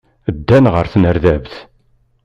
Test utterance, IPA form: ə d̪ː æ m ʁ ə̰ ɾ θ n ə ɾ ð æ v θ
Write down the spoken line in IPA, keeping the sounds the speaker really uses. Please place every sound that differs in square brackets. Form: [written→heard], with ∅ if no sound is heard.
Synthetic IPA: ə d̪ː æ [m→n] ʁ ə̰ ɾ θ n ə ɾ ð æ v θ